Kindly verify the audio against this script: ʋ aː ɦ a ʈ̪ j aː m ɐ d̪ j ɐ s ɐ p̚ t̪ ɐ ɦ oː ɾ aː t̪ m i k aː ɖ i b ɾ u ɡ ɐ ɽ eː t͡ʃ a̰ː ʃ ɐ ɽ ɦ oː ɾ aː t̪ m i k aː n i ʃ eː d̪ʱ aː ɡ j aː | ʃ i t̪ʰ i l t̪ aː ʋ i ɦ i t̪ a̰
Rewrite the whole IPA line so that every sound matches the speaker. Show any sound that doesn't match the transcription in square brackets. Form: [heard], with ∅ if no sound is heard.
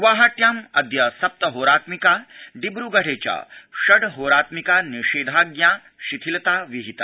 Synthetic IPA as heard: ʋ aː ɦ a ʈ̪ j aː m ɐ d̪ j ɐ s ɐ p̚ t̪ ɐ ɦ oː ɾ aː t̪ m i k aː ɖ i b ɾ u ɡ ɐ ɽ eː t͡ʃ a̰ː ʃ ɐ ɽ ɦ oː ɾ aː t̪ m i k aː n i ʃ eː d̪ʱ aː ɡ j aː | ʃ i t̪ʰ i l t̪ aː ʋ i ɦ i t̪ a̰